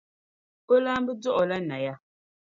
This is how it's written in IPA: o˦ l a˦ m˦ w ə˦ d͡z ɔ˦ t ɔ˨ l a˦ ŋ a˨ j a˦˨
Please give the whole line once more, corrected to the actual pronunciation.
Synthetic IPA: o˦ l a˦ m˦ b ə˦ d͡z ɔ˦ ʔ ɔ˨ l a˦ n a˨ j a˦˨